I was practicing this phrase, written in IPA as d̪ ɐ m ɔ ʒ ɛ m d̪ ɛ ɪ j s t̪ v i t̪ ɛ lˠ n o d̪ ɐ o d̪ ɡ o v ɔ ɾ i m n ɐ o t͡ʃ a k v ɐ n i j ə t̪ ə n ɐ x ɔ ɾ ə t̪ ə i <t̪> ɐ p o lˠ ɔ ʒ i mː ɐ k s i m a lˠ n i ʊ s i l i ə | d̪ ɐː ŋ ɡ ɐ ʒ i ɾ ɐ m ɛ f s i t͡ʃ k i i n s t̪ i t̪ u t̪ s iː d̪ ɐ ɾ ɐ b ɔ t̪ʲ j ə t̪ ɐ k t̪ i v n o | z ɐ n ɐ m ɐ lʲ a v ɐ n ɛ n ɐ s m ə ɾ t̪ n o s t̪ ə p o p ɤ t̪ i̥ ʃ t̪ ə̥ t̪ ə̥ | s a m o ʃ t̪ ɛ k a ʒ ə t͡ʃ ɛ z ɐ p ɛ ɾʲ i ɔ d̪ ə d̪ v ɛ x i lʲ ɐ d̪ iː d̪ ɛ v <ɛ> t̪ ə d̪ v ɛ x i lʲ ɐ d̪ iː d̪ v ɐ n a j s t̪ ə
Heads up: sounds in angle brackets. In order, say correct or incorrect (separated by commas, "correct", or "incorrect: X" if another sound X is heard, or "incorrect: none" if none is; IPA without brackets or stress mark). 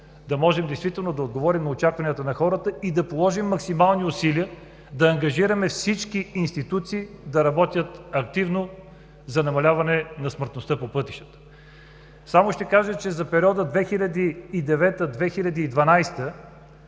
incorrect: d̪, correct